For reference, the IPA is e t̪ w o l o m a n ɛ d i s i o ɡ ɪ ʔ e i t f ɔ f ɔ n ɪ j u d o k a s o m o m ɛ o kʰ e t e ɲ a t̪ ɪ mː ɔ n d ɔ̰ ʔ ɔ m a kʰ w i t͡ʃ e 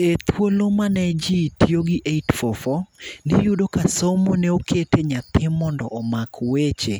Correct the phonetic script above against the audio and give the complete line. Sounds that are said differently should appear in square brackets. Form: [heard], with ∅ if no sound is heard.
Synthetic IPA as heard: e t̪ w o l o m a n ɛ [d͡ʒ] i [t] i o ɡ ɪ ʔ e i t f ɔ f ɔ n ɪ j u d o k a s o m o [n] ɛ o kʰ e t e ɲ a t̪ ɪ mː ɔ n d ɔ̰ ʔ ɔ m a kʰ w [e] t͡ʃ e

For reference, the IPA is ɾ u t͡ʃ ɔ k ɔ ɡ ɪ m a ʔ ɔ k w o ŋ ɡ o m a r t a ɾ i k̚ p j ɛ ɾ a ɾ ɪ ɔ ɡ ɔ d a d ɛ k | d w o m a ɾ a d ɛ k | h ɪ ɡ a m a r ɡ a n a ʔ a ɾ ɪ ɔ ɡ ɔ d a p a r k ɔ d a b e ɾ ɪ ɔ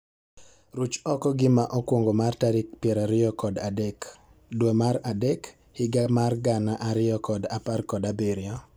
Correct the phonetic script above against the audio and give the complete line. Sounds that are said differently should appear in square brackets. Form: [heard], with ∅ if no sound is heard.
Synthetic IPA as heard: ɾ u t͡ʃ ɔ k ɔ ɡ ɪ m a ʔ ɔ k w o ŋ ɡ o m a r t a ɾ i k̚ p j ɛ ɾ a ɾ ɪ ɔ [k] ɔ d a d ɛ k | d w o m a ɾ a d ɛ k | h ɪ ɡ a m a r ɡ a n a ʔ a ɾ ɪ ɔ [k] ɔ d a p a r k ɔ d a b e ɾ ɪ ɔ

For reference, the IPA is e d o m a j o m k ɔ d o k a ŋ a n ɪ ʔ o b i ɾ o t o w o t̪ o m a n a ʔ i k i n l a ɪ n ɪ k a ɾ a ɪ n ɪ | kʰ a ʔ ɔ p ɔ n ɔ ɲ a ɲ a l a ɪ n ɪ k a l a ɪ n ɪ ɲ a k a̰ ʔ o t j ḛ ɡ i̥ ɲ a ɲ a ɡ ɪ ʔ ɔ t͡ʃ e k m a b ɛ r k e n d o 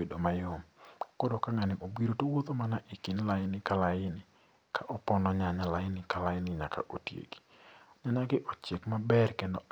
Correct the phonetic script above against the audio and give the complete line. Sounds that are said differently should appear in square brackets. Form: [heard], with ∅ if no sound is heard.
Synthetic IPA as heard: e d o m a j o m k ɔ d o k a ŋ a n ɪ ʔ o b i ɾ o t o w o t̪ o m a n a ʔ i k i n l a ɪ n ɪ k a [l] a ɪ n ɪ | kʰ a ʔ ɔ p ɔ n ɔ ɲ a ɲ a l a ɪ n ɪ k a l a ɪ n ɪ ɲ a k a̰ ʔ o t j ḛ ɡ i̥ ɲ a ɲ a ɡ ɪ ʔ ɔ t͡ʃ e k m a b ɛ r k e n d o

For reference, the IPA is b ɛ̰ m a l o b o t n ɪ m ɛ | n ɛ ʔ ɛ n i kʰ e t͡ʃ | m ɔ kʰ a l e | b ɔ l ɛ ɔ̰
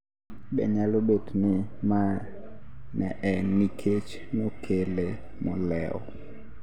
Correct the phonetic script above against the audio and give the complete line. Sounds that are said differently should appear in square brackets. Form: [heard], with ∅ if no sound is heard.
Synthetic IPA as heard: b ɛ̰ [ɲ] a l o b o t n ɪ m [a] | n ɛ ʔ ɛ n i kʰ e t͡ʃ | m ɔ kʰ [e] l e | [m] ɔ l ɛ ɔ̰

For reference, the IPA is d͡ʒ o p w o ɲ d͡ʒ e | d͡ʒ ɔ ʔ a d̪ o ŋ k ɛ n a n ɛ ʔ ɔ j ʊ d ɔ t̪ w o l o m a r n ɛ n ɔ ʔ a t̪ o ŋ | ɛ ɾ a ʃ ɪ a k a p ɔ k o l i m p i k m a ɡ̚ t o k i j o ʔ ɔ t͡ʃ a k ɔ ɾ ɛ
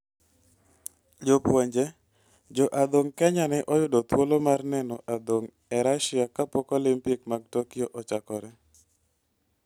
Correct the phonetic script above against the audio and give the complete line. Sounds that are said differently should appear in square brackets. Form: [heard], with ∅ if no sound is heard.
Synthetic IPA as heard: d͡ʒ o p w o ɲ d͡ʒ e | d͡ʒ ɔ ʔ a d̪ o ŋ k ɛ [ɲ] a n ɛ ʔ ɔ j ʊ d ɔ t̪ w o l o m a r n ɛ n ɔ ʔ a [d̪] o ŋ | ɛ ɾ a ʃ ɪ a k a p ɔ k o l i m p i k m a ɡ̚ t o k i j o ʔ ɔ t͡ʃ a k ɔ ɾ ɛ

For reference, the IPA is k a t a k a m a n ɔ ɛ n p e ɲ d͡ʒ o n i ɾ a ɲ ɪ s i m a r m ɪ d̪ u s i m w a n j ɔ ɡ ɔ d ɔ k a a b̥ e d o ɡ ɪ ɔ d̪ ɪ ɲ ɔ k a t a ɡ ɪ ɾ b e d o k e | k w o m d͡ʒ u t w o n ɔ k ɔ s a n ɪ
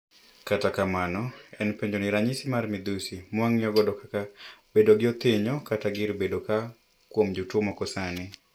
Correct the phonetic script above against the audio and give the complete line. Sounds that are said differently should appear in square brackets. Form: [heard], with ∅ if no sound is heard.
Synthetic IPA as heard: k a t a k a m a n ɔ ɛ n p e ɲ d͡ʒ o n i ɾ a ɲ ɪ s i m a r m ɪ d̪ u s i m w a [ŋ] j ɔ ɡ ɔ d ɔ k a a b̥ e d o ɡ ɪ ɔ [t̪] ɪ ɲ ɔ k a t a ɡ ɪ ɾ b e d o k [a] | k w o m d͡ʒ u t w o [m] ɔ k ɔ s a n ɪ

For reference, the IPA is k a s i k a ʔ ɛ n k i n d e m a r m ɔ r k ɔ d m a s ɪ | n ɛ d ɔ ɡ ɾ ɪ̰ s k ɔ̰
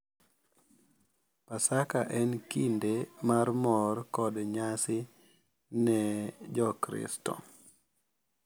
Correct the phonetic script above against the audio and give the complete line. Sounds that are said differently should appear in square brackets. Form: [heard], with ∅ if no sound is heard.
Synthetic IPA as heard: [p] a s [a] k a ʔ ɛ n k i n d e m a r m ɔ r k ɔ d [ɲ] a s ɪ | n ɛ [d͡ʒ] ɔ [k] ɾ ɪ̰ s [t] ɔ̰

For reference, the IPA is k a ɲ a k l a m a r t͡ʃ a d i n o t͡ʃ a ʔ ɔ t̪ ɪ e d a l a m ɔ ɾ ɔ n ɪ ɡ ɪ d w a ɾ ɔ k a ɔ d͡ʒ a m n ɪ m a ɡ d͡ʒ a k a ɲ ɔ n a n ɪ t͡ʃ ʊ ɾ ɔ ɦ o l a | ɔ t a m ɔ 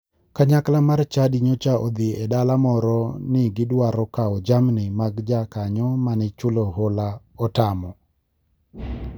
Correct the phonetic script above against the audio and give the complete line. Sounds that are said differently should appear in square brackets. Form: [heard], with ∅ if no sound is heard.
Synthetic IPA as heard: k a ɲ a k l a m a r t͡ʃ a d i [ɲ] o t͡ʃ a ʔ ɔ [d̪] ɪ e d a l a m ɔ ɾ ɔ n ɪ ɡ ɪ d w a ɾ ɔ k a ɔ d͡ʒ a m n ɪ m a ɡ d͡ʒ a k a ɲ ɔ [m] a n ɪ t͡ʃ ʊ [l] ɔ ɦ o l a | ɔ t a m ɔ

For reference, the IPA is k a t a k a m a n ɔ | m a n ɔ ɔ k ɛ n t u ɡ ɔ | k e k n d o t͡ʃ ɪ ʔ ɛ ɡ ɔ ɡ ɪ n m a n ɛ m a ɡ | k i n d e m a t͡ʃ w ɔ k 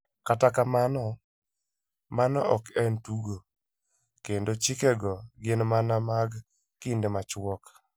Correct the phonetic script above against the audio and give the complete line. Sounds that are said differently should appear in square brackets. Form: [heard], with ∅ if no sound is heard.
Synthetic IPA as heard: k a t a k a m a n ɔ | m a n ɔ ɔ k ɛ n t u ɡ [o] | k e [∅] n d o t͡ʃ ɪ [k] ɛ ɡ ɔ ɡ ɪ n m a n [a] m a ɡ | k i n d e m a t͡ʃ w ɔ k

